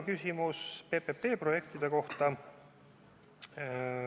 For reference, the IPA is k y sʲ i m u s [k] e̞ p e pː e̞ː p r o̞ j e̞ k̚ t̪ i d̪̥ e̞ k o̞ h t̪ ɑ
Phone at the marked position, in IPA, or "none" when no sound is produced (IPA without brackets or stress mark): p